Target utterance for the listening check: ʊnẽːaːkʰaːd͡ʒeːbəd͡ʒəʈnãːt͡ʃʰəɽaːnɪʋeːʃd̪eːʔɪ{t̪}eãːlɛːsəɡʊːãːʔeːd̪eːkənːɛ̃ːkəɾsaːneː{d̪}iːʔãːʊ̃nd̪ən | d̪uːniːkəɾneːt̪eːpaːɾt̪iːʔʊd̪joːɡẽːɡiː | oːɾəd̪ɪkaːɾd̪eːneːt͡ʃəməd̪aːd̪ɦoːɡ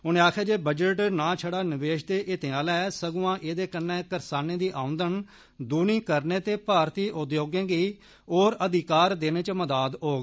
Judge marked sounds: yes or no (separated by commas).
yes, yes